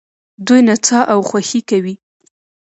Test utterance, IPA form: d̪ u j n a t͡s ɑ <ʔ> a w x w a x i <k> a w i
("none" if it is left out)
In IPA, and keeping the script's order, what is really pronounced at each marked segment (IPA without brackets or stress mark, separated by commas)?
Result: ʔ, k